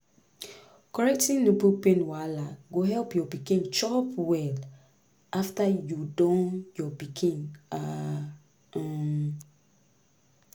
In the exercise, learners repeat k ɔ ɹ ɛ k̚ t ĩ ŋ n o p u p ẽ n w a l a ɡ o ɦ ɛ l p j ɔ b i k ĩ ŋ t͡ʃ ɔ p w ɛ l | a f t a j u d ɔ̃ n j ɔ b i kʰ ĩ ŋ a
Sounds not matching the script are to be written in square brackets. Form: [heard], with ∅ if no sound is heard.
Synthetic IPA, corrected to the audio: k ɔ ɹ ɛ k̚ t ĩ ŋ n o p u p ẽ n w a l a ɡ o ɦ ɛ l p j ɔ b i k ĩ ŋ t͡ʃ ɔ p w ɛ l | a f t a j u d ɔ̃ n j ɔ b i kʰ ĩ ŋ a